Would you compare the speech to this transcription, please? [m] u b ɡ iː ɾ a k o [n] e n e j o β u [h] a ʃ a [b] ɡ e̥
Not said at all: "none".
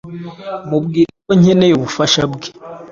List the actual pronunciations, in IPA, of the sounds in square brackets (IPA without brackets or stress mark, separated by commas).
m, ɲ, f, b